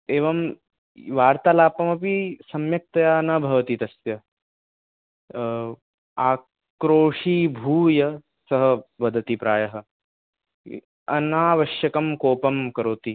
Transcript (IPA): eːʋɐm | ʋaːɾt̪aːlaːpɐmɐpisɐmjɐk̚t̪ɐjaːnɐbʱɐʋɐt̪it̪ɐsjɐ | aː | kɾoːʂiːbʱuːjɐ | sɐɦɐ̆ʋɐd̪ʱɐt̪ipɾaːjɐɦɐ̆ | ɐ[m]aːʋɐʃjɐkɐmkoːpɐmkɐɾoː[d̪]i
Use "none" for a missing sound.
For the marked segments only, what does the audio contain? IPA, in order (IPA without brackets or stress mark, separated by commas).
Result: n, t̪